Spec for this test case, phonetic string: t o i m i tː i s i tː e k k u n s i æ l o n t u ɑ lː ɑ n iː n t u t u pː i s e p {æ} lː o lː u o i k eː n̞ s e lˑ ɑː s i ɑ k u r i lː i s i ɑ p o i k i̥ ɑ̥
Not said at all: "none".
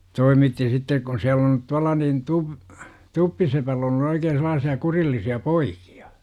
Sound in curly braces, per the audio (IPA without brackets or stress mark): æ